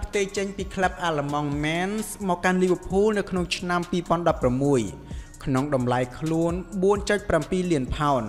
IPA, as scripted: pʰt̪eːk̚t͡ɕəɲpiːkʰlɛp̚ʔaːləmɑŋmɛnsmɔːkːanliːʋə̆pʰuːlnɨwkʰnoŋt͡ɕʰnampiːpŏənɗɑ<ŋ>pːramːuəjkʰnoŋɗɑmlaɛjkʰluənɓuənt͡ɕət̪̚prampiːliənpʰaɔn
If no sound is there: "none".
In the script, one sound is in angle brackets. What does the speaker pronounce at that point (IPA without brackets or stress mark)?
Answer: none